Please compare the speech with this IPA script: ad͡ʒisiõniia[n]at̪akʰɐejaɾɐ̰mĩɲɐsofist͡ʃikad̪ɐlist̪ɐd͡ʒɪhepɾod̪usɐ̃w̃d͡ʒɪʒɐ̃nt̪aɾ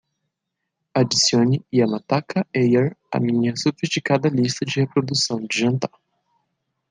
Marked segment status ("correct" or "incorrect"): incorrect